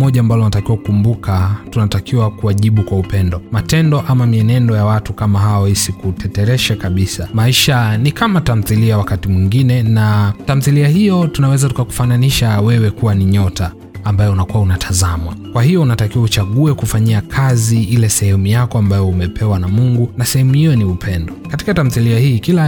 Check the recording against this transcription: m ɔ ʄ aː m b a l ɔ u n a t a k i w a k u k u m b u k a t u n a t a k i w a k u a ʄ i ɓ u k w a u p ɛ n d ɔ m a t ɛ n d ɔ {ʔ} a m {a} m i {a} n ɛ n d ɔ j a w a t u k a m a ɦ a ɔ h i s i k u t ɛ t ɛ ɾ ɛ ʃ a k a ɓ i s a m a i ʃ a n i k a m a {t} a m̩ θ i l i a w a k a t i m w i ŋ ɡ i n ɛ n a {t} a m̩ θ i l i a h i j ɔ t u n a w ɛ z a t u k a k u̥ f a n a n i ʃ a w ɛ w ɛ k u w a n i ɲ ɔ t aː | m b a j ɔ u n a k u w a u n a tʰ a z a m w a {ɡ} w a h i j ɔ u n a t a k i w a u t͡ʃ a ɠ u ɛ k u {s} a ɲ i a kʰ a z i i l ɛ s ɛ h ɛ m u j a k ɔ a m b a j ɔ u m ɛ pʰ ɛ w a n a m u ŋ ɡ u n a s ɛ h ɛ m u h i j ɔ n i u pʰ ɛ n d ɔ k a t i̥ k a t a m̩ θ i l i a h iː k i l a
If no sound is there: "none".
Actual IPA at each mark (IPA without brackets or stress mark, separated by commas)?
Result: ʔ, a, ɛ, t, t, k, f